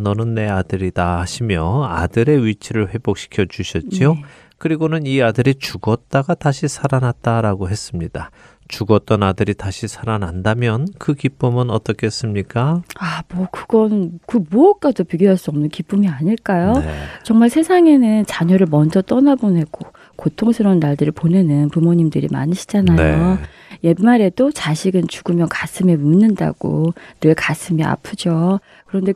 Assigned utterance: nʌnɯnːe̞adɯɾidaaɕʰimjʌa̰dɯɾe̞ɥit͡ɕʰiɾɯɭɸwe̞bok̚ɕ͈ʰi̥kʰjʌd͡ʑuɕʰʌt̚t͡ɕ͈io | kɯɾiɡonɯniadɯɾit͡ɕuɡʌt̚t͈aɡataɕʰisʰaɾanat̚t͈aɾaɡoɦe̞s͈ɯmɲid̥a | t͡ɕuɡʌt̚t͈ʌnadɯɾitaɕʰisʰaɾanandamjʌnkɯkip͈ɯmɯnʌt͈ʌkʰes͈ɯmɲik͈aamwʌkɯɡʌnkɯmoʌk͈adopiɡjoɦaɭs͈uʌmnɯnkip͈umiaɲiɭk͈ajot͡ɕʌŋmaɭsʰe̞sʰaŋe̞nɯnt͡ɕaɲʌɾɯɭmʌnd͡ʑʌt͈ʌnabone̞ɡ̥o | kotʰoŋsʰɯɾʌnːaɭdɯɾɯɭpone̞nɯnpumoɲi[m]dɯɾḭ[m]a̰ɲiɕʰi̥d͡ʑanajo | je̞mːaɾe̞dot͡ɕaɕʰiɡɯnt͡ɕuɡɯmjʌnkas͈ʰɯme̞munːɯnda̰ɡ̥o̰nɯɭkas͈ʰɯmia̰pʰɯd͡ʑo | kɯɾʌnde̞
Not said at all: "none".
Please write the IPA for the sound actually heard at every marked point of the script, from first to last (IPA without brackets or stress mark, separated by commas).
m, m